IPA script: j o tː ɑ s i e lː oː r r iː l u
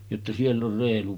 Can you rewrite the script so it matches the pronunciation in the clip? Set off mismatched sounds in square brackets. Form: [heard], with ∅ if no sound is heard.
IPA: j o tː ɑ s i e lː [o] r r [eː] l u